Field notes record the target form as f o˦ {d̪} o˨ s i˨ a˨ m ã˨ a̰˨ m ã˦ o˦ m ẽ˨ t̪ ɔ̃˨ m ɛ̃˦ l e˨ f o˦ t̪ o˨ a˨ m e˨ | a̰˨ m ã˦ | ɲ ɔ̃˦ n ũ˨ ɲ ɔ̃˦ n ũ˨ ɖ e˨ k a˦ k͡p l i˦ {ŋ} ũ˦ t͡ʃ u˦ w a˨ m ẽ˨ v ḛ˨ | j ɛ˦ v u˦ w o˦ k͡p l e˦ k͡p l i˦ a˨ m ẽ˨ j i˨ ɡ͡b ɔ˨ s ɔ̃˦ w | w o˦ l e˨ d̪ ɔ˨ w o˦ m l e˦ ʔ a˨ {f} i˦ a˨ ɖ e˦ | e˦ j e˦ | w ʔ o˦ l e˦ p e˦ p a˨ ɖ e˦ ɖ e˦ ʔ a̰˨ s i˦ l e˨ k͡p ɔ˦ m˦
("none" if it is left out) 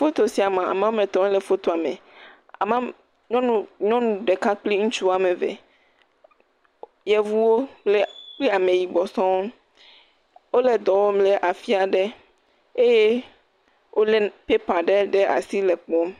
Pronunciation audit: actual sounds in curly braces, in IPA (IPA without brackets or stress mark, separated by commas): t̪, ŋ, f